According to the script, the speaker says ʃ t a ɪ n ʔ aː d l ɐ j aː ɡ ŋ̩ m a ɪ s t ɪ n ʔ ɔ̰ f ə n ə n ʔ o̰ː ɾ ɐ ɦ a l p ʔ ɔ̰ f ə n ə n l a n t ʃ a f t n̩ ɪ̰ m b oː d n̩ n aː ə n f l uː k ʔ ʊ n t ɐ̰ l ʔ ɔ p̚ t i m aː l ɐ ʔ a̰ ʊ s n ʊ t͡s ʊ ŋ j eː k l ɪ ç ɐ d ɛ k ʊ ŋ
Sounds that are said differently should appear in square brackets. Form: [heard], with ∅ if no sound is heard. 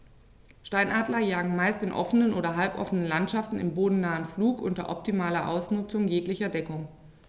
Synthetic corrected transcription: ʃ t a ɪ n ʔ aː d l ɐ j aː ɡ ŋ̩ m a ɪ s t ɪ n ʔ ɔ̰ f ə n ə n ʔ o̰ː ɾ ɐ ɦ a l p ʔ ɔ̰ f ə n ə n l a n t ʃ a f t n̩ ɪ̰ m b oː d n̩ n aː ə n f l uː k ʔ ʊ n t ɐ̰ [∅] ʔ ɔ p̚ t i m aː l ɐ ʔ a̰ ʊ s n ʊ t͡s ʊ ŋ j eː k l ɪ ç ɐ d ɛ k ʊ ŋ